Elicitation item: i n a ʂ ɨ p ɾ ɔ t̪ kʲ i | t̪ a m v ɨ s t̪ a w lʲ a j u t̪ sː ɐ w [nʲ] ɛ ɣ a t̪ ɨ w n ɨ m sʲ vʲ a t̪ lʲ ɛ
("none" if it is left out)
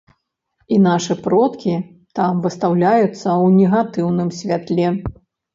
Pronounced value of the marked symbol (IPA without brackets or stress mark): nʲ